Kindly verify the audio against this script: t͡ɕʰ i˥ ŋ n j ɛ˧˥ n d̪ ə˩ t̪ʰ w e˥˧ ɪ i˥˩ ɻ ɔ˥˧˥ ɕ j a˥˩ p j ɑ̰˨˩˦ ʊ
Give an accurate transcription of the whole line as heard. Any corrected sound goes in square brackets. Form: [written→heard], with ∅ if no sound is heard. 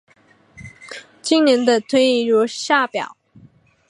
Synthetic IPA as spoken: [t͡ɕʰ→t͡ɕ] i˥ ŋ n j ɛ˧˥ n d̪ [ə˩→ə˧] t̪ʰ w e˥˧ ɪ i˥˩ ɻ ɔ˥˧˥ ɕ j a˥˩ p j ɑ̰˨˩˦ ʊ